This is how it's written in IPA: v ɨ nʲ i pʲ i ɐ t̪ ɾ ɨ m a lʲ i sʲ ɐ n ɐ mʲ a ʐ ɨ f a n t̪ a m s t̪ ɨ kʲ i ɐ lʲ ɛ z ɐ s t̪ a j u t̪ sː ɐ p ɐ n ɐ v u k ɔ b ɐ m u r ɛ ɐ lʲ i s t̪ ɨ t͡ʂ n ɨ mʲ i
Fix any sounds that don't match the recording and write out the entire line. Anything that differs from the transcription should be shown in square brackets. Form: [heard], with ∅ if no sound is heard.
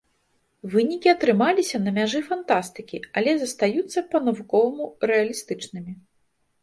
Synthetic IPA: v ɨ nʲ i [kʲ] i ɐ t̪ ɾ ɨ m a lʲ i sʲ ɐ n ɐ mʲ a ʐ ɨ f a n t̪ a [∅] s t̪ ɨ kʲ i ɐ lʲ ɛ z ɐ s t̪ a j u t̪ sː ɐ p ɐ n ɐ v u k ɔ [v] ɐ m u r ɛ ɐ lʲ i s t̪ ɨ t͡ʂ n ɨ mʲ i

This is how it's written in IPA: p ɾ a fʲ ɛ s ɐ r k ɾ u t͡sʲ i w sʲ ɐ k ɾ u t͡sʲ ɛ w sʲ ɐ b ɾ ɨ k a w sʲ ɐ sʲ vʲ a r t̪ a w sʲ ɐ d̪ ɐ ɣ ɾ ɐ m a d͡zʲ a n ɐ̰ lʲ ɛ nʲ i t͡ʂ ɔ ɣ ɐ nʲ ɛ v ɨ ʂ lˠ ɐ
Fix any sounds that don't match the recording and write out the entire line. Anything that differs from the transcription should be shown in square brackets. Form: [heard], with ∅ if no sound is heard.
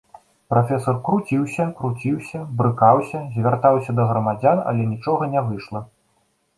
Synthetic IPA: p ɾ a fʲ ɛ s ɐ r k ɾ u t͡sʲ i w sʲ ɐ k ɾ u t͡sʲ [i] w sʲ ɐ b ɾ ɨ k a w sʲ ɐ [zʲ] vʲ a r t̪ a w sʲ ɐ d̪ ɐ ɣ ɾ ɐ m a d͡zʲ a n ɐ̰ lʲ ɛ nʲ i t͡ʂ ɔ ɣ ɐ nʲ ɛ v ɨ ʂ lˠ ɐ

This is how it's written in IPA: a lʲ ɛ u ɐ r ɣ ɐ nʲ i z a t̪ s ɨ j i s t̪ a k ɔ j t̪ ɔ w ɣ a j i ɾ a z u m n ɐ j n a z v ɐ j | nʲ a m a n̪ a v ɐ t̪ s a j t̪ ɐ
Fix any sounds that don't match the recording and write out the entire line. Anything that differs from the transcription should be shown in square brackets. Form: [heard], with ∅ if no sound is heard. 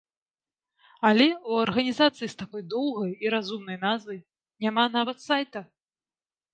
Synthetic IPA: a lʲ ɛ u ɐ r ɣ ɐ nʲ i z a t̪ s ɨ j i s t̪ a k ɔ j [d̪] ɔ w ɣ [ɐ] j i ɾ a z u m n ɐ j n a z v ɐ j | nʲ a m a n̪ a v ɐ t̪ s a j t̪ ɐ

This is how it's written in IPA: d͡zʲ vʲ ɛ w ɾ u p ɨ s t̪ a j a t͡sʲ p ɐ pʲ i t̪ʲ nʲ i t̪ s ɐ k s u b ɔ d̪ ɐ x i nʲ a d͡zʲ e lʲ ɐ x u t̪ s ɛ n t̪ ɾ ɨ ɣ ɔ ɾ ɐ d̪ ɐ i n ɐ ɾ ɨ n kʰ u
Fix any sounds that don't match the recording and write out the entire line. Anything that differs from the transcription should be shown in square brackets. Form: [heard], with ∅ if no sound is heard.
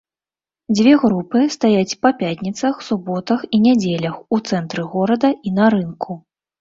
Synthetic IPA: d͡zʲ vʲ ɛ [ɣ] ɾ u p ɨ s t̪ a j a t͡sʲ p ɐ pʲ [a] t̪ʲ nʲ i t̪ s ɐ [x] s u b ɔ [t̪] ɐ x i nʲ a d͡zʲ e lʲ ɐ x u t̪ s ɛ n t̪ ɾ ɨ ɣ ɔ ɾ ɐ d̪ ɐ i n ɐ ɾ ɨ n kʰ u

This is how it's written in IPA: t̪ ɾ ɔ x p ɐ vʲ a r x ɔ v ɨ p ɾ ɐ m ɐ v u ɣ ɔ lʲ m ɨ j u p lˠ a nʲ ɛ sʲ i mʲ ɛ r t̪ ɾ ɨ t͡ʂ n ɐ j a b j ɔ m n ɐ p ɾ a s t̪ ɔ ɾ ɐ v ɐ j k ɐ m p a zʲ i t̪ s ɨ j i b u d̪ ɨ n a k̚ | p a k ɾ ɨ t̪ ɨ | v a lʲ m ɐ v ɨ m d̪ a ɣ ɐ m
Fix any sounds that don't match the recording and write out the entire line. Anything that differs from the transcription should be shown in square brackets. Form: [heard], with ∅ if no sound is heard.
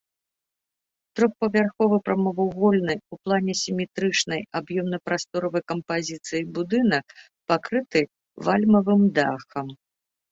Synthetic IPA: t̪ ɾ ɔ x p ɐ vʲ a r x ɔ v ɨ p ɾ ɐ m ɐ v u ɣ ɔ lʲ [n] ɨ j u p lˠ a nʲ ɛ sʲ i mʲ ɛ [∅] t̪ ɾ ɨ t͡ʂ n ɐ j a b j ɔ m n ɐ p ɾ a s t̪ ɔ ɾ ɐ v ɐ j k ɐ m p a zʲ i t̪ s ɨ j i b u d̪ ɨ n [ɐ] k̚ | p a k ɾ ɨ t̪ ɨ | v a lʲ m ɐ v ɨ m d̪ a [x] ɐ m

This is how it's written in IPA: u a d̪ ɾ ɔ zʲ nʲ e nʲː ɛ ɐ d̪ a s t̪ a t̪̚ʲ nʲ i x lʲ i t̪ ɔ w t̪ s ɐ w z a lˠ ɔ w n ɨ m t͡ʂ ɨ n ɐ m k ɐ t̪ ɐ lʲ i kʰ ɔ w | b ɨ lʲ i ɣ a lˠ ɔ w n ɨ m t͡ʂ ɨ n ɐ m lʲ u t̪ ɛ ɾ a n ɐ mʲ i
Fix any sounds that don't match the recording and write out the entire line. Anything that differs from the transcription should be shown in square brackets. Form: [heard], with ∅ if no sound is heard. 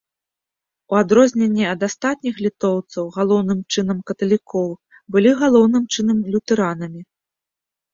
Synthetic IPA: u a d̪ ɾ ɔ zʲ nʲ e nʲː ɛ ɐ d̪ a s t̪ a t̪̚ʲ nʲ i x lʲ i t̪ ɔ w t̪ s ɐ w [ɣ] a lˠ ɔ w n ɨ m t͡ʂ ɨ n ɐ m k ɐ t̪ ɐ lʲ i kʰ ɔ w | b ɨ lʲ i ɣ a lˠ ɔ w n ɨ m t͡ʂ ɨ n ɐ m lʲ u t̪ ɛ ɾ a n ɐ mʲ i

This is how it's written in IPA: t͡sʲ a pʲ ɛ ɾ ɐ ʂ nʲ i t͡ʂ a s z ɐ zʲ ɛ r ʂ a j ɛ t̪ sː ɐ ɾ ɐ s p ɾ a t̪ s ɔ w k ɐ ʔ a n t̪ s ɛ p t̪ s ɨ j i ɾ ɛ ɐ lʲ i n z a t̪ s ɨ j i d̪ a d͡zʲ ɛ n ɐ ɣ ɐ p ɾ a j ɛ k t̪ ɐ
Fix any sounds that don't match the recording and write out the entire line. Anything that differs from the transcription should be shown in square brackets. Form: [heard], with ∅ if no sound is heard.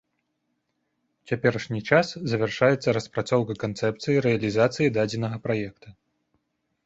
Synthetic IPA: t͡sʲ a pʲ ɛ ɾ ɐ ʂ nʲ i t͡ʂ a s z ɐ [vʲ] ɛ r ʂ a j ɛ t̪ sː ɐ ɾ ɐ s p ɾ a t̪ s ɔ w k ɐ [k] a n t̪ s ɛ p t̪ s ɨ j i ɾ ɛ ɐ lʲ i [∅] z a t̪ s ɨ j i d̪ a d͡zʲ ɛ n ɐ ɣ ɐ p ɾ a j ɛ k t̪ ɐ

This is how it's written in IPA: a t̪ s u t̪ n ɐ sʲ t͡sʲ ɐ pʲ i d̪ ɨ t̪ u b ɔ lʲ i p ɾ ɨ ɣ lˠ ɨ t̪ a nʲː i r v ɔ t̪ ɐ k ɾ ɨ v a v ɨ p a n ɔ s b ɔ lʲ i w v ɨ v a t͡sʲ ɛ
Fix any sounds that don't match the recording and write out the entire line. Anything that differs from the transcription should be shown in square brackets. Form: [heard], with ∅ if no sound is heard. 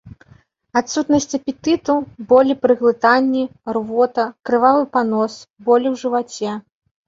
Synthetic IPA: a t̪ s u t̪ n ɐ sʲ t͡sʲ ɐ pʲ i [t̪] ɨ t̪ u b ɔ lʲ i p ɾ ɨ ɣ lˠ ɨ t̪ a nʲː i r v ɔ t̪ ɐ k ɾ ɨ v a v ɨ p a n ɔ s b ɔ lʲ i w [ʐ] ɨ v a t͡sʲ ɛ

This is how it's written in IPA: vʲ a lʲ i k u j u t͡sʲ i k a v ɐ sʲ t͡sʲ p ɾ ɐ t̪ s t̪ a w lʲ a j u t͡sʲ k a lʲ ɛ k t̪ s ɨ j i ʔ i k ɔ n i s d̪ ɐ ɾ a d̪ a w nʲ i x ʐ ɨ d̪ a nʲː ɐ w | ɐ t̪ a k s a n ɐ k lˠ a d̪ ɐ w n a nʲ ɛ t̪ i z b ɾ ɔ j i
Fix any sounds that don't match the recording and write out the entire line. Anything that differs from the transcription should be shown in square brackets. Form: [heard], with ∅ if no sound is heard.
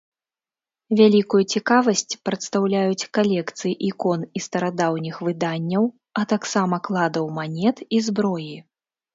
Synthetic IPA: vʲ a lʲ i k u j u t͡sʲ i k a v ɐ sʲ t͡sʲ p ɾ ɐ t̪ s t̪ a w lʲ a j u t͡sʲ k a lʲ ɛ k t̪ s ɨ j i ʔ i k ɔ n i s [t̪] ɐ ɾ a d̪ a w nʲ i x [v] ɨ d̪ a nʲː ɐ w | ɐ t̪ a k s a [m] ɐ k lˠ a d̪ ɐ w [m] a nʲ ɛ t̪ i z b ɾ ɔ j i

